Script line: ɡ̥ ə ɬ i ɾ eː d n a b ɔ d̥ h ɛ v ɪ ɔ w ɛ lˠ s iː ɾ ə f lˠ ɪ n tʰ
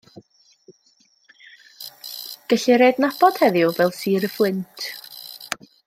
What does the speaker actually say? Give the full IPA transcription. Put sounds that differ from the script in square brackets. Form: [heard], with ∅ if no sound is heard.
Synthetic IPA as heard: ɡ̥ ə ɬ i ɾ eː d n a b ɔ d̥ h ɛ [ð] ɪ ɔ [v] ɛ lˠ s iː ɾ ə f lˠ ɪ n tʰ